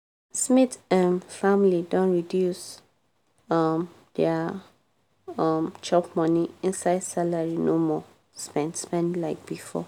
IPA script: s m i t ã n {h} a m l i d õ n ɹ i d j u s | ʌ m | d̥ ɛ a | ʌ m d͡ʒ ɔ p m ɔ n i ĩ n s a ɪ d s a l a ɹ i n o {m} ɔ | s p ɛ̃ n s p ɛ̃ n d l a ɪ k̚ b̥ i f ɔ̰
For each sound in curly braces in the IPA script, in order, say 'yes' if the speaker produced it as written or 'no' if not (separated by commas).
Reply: no, yes